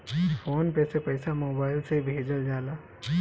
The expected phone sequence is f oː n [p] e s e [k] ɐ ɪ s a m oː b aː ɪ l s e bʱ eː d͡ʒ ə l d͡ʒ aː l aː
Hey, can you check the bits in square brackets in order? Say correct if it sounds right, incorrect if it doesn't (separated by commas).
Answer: correct, incorrect